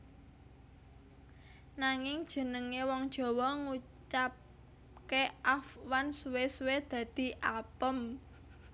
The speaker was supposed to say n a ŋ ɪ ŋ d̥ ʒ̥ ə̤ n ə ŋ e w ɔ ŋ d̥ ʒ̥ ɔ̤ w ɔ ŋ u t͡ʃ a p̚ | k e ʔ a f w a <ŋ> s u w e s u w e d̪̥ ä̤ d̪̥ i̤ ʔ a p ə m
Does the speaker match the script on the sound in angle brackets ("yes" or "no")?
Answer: no